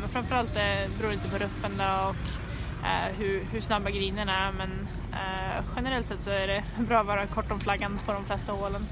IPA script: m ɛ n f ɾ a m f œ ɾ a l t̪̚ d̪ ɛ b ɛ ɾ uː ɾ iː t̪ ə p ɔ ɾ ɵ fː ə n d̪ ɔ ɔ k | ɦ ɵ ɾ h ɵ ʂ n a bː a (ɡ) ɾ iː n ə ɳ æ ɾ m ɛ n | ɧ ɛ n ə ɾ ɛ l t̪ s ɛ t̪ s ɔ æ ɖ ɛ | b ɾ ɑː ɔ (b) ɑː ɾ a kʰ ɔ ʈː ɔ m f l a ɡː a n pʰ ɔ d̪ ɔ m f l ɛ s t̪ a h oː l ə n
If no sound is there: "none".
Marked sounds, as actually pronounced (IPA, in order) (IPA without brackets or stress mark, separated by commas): ɡ, v